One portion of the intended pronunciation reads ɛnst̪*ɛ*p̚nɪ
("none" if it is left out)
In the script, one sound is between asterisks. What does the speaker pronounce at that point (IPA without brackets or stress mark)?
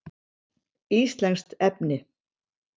ɛ